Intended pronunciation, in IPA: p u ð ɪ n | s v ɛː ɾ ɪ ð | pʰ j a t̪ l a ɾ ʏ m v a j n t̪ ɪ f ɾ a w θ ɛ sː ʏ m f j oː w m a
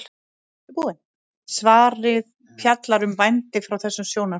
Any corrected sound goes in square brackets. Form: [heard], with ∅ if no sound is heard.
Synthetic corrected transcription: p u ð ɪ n | s v [aː] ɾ ɪ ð | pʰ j a t̪ l a ɾ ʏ m v a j n t̪ ɪ f ɾ a w θ ɛ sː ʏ m [s] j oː w [n] a